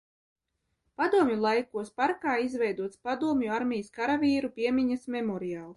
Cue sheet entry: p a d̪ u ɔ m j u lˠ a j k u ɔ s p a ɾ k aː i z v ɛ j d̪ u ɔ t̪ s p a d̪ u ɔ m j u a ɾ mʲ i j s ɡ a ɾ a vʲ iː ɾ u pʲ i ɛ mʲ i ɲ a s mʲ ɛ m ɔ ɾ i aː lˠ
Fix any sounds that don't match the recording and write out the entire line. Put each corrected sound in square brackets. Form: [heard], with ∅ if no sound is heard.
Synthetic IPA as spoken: p a d̪ u ɔ m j u lˠ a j k u ɔ s p a ɾ k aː i z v ɛ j d̪ u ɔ t̪ s p a d̪ u ɔ m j u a ɾ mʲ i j s [k] a ɾ a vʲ iː ɾ u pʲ i ɛ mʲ i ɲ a s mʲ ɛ m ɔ ɾ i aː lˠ